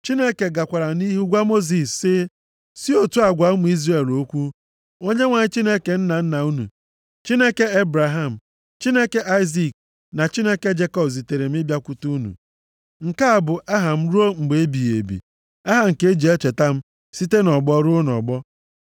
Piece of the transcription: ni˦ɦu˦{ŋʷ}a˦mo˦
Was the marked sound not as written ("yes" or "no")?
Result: yes